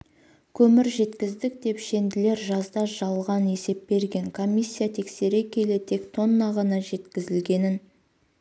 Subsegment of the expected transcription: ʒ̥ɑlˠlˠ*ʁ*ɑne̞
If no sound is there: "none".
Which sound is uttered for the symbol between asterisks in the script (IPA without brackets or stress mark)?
ʁ